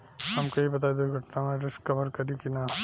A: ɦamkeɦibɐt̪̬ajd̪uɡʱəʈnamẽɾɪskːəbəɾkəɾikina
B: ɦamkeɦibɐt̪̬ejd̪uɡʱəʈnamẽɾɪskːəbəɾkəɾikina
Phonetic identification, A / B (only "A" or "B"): A